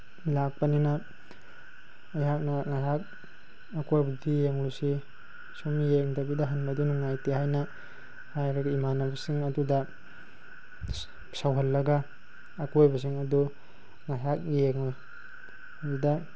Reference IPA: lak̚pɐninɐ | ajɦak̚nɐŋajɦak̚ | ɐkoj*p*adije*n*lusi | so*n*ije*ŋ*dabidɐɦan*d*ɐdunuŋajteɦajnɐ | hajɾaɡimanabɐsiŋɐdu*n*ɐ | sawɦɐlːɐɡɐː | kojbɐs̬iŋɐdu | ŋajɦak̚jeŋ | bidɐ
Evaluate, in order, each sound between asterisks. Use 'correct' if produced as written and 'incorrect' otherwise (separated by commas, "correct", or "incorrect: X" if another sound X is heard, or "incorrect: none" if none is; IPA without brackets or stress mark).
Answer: incorrect: b, incorrect: ŋ, incorrect: m, correct, incorrect: b, incorrect: d